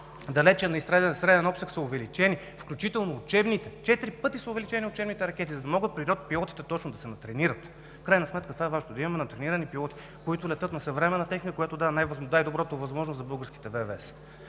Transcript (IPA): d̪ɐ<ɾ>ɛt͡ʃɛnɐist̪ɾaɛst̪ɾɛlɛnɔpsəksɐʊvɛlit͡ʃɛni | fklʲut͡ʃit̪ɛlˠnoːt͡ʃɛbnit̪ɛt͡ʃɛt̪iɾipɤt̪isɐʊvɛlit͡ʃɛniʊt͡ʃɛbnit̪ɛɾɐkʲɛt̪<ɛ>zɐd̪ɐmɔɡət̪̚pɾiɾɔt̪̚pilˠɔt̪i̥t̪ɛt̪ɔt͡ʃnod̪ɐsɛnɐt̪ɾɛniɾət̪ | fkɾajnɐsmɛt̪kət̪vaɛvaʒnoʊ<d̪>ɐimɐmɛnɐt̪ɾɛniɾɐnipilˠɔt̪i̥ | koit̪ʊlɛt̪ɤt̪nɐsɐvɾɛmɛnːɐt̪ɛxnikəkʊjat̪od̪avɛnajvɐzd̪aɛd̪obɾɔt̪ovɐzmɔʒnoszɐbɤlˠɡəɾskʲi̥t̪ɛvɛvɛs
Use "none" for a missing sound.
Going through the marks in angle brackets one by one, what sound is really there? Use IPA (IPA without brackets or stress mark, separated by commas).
l, i, d̪